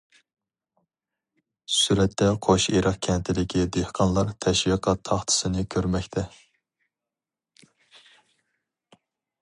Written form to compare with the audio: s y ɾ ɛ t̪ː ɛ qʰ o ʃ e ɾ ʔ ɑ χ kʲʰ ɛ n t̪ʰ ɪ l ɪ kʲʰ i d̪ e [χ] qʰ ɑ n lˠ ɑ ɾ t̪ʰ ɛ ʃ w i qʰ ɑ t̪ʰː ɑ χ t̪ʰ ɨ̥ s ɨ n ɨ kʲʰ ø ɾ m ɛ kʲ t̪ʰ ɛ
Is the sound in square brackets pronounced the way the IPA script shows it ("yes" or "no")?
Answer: no